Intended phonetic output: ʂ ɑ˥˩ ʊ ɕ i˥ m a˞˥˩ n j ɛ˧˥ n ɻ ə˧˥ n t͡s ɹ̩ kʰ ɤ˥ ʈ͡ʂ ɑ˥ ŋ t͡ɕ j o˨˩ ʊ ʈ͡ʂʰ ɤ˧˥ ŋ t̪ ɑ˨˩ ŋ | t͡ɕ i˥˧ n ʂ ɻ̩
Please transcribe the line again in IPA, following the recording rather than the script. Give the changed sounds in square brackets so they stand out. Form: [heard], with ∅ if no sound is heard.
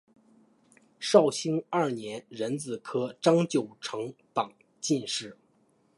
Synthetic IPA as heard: ʂ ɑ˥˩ ʊ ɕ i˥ [ŋ] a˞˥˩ n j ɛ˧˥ n ɻ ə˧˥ n t͡s ɹ̩ kʰ ɤ˥ ʈ͡ʂ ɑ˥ ŋ t͡ɕ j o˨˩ ʊ ʈ͡ʂʰ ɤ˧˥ ŋ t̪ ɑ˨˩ ŋ | t͡ɕ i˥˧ n ʂ ɻ̩